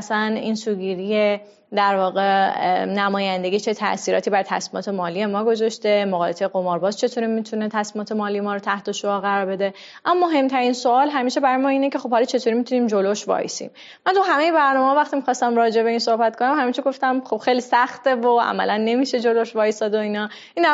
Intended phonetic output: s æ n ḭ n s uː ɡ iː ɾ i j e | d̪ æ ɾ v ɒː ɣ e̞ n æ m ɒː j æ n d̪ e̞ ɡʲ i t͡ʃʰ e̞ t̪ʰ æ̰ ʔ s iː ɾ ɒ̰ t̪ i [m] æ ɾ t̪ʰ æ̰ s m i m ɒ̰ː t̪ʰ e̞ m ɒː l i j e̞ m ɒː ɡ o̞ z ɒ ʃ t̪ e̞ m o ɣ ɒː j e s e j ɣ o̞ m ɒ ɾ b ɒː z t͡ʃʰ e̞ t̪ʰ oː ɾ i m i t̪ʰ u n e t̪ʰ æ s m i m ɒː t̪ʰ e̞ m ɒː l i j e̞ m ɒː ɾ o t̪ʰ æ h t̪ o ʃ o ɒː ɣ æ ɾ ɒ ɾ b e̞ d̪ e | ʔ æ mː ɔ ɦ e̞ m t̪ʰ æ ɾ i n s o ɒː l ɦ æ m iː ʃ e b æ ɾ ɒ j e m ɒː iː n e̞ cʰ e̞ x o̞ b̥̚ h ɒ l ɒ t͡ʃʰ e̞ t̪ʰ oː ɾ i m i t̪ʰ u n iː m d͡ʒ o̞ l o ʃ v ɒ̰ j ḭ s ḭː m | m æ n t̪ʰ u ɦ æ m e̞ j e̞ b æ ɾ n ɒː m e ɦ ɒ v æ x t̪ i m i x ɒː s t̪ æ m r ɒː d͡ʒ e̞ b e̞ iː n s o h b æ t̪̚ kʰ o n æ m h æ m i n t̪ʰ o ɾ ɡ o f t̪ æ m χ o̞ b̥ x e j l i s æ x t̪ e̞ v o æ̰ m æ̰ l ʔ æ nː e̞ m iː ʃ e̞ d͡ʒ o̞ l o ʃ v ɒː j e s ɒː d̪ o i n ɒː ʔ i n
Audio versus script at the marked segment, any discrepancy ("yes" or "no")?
yes